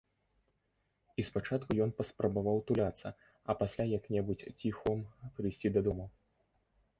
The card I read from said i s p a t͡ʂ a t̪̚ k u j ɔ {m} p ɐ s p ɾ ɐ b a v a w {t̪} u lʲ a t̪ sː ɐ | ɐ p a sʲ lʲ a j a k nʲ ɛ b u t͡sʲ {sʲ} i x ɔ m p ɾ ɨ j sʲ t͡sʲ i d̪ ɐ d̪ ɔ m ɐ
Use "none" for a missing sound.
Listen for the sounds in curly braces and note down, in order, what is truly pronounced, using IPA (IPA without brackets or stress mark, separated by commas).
n, t̪, t͡sʲ